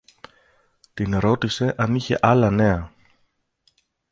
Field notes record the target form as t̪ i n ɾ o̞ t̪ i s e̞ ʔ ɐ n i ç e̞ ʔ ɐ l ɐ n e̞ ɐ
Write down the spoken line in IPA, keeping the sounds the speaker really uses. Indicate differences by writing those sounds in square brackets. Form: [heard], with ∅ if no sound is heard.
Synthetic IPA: t̪ i n ɾ o̞ t̪ i s e̞ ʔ ɐ n i ç e̞ ʔ ɐ l ɐ n e̞ ɐ